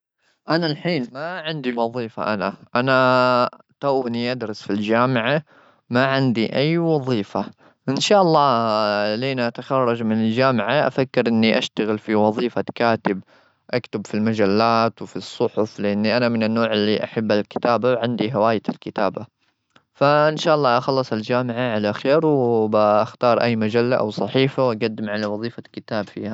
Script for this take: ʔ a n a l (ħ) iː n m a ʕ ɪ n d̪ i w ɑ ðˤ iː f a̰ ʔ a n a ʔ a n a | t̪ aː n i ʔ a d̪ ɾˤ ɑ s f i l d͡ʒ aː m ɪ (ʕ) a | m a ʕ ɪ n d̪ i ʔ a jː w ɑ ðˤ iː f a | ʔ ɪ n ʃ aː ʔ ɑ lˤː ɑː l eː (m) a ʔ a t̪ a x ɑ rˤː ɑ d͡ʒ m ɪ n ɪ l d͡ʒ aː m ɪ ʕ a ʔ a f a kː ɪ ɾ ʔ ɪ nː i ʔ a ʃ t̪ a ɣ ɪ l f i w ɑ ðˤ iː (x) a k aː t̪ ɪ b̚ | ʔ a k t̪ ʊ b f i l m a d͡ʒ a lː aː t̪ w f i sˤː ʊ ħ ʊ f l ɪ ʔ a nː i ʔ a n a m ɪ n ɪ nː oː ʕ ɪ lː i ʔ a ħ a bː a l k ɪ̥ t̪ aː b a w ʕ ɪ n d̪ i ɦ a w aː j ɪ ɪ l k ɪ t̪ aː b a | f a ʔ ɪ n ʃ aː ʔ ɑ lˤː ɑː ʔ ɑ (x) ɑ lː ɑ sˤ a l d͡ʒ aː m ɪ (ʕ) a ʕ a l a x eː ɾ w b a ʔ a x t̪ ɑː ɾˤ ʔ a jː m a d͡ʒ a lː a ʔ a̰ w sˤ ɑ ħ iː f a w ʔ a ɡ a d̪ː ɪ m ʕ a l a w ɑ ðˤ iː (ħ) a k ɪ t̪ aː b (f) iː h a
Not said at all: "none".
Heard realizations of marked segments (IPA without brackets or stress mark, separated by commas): ħ, ʕ, n, f, x, ʕ, f, f